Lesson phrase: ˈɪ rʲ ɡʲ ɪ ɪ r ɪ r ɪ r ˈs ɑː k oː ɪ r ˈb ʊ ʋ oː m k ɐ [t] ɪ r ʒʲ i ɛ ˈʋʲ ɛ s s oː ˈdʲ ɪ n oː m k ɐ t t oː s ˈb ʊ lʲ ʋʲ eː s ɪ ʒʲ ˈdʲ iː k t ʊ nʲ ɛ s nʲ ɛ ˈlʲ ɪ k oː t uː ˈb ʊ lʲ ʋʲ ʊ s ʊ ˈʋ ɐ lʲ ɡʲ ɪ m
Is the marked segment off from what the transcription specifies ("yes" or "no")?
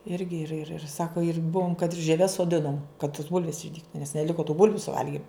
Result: no